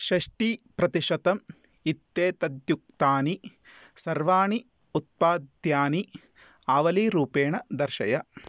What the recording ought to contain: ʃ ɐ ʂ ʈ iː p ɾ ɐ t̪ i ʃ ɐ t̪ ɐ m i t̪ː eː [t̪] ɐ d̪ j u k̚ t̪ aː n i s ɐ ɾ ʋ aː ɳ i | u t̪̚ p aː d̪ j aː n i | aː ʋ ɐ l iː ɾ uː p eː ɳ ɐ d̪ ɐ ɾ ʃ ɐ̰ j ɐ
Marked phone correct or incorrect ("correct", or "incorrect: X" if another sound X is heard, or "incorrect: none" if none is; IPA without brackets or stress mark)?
correct